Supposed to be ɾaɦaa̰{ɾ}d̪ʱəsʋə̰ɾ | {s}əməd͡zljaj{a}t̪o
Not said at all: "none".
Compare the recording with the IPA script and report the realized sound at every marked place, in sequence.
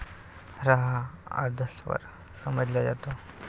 ɾ, s, a

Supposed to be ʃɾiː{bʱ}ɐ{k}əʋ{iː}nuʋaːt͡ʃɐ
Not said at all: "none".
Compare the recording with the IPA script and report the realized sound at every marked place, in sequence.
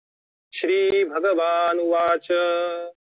bʱ, ɡ, aː

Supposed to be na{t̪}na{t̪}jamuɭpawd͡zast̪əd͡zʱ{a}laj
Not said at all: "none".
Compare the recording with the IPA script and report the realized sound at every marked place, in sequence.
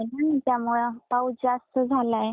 none, t̪, a

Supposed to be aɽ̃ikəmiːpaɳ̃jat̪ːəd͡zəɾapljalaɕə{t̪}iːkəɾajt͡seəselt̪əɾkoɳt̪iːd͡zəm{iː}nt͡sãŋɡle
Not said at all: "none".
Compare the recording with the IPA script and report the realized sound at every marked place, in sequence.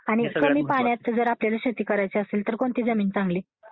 t̪, iː

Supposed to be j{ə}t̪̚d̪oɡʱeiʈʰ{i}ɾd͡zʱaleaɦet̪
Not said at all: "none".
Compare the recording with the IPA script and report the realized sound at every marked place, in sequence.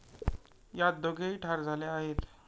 a, a

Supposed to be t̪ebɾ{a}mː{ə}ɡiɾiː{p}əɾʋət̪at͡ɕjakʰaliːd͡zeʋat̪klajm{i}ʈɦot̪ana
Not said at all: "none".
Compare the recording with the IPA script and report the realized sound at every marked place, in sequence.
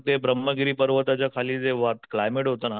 ə, ə, p, e

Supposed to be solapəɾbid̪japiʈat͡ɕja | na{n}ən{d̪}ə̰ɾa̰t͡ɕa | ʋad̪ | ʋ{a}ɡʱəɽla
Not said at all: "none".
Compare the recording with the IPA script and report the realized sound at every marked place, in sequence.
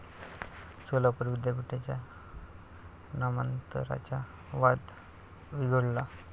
m, t̪, i

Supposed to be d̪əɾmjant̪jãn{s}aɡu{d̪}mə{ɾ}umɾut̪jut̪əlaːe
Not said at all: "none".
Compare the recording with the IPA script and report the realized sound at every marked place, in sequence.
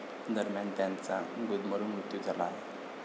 t͡s, d̪, ɾ

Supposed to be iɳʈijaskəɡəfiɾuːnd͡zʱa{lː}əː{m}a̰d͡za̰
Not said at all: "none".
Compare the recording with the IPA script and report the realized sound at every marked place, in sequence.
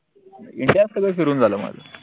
l, m

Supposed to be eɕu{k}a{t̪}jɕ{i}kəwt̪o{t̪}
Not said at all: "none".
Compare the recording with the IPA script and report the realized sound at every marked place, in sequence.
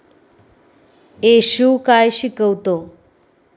k, none, i, none

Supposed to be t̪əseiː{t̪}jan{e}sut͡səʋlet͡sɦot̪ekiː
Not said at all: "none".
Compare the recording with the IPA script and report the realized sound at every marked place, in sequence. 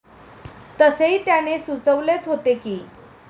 t̪, e

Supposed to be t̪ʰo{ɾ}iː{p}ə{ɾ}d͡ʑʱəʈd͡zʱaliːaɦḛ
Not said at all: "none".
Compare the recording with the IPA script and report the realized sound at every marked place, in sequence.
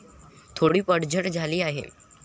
ɽ, p, ɽ

